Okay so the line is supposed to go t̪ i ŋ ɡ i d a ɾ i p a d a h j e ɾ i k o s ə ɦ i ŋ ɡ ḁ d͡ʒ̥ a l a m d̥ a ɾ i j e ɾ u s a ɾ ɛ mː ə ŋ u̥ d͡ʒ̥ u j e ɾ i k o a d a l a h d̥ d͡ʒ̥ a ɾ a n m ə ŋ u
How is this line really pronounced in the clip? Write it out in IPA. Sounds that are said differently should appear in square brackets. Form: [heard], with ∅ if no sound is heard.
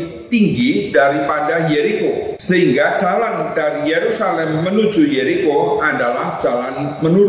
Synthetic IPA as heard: t̪ i ŋ ɡ i d a ɾ i p a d a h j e ɾ i k o s ə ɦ i ŋ ɡ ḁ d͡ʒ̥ a l a [n] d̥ a ɾ i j e ɾ u s a [l] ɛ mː ə [n] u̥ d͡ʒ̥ u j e ɾ i k o a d a l a h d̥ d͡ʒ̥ a [l] a n m ə [n] u